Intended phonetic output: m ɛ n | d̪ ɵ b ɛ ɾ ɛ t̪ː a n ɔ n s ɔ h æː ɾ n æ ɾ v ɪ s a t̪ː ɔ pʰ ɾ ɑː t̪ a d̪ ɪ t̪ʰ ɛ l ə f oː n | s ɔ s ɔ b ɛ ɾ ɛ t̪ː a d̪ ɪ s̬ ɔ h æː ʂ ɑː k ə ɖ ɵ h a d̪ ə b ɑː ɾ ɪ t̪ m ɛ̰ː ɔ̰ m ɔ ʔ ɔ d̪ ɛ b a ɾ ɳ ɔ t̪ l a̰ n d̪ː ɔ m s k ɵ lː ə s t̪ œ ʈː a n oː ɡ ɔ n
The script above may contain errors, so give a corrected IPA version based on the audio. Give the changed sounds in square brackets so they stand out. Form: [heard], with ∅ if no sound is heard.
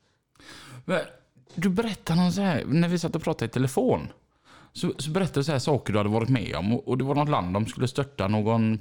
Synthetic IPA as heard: m ɛ n | d̪ ɵ b ɛ ɾ ɛ t̪ː a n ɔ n s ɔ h æː ɾ n æ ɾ v ɪ s a t̪ː ɔ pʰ ɾ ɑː t̪ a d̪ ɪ t̪ʰ ɛ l ə f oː n | s ɔ s ɔ b ɛ ɾ ɛ t̪ː a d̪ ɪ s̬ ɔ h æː ʂ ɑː k ə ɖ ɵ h a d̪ ə [v] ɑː ɾ ɪ t̪ m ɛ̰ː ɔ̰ m ɔ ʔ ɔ d̪ ɛ [v] a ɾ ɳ ɔ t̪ l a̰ n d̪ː ɔ m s k ɵ lː ə s t̪ œ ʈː a n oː ɡ ɔ n